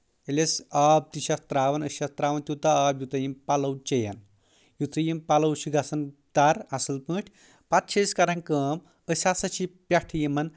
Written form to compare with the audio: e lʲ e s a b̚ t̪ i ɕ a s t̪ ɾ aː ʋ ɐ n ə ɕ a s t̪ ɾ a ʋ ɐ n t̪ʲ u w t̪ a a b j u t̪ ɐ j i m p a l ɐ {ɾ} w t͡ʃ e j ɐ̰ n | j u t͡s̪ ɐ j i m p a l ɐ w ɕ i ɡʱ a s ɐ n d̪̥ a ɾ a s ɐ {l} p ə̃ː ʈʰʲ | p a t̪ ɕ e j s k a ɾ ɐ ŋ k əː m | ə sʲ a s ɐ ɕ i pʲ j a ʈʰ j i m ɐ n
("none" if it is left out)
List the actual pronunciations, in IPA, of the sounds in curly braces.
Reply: none, l

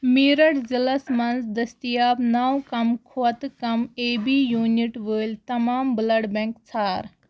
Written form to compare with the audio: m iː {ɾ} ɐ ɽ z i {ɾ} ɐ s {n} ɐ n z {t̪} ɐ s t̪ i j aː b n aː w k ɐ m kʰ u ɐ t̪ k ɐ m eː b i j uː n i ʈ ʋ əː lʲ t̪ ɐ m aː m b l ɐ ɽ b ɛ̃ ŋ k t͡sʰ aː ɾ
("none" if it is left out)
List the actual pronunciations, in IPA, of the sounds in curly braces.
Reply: ɾ, l, m, d̪

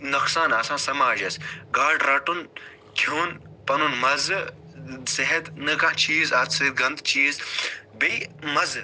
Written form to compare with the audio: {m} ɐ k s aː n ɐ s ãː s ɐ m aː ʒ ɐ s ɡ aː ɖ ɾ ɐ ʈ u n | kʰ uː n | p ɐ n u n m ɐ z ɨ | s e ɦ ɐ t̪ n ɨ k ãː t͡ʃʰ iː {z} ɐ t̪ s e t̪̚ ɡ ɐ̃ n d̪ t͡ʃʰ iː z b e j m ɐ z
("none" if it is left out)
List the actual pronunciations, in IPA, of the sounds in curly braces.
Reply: n, z

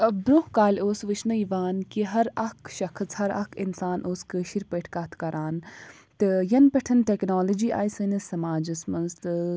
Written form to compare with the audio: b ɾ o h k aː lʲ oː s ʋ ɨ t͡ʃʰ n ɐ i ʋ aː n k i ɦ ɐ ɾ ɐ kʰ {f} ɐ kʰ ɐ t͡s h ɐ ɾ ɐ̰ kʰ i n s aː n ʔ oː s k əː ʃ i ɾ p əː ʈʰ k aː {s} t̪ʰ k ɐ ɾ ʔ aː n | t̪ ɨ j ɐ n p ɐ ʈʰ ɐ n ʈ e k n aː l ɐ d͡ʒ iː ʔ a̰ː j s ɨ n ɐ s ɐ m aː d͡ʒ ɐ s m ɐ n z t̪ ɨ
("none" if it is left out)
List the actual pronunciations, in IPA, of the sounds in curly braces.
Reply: ʃ, none

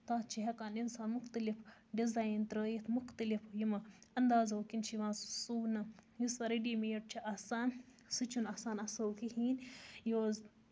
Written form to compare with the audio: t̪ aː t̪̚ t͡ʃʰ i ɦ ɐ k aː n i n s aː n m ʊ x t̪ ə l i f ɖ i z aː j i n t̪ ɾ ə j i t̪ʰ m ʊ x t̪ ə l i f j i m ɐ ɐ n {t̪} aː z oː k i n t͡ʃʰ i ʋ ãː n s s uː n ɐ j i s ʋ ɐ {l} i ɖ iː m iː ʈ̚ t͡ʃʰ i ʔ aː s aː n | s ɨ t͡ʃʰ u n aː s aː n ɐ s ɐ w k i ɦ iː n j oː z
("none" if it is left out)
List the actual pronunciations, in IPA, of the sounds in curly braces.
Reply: d̪, ɾ

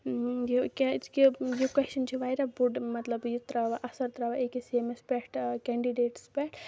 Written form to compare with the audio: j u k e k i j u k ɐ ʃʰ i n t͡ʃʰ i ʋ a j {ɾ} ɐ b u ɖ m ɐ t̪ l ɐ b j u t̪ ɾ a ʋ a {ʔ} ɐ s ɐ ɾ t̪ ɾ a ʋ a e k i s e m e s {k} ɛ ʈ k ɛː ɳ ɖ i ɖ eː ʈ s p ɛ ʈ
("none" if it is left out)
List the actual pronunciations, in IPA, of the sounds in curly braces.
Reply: ɾ, ʔ, p

